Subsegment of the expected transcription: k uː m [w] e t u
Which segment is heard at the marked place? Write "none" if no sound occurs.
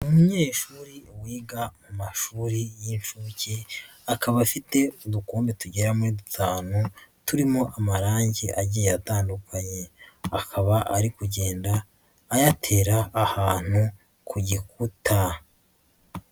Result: b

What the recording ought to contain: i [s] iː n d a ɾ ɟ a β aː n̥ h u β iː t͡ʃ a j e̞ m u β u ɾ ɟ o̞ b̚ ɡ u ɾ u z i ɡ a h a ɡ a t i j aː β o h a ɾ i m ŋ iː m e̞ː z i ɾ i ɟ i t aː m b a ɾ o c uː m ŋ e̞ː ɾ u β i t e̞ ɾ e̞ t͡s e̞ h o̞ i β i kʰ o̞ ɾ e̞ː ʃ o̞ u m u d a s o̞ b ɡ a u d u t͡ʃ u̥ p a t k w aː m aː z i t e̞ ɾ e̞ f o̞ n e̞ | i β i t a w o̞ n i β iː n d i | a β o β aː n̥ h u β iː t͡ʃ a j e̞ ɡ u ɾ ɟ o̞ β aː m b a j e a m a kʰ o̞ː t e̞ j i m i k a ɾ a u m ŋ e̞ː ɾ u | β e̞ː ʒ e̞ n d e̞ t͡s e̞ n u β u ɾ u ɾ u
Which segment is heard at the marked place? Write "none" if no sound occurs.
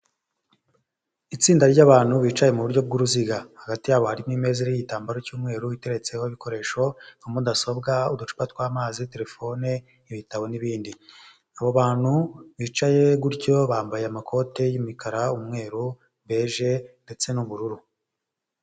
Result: t͡s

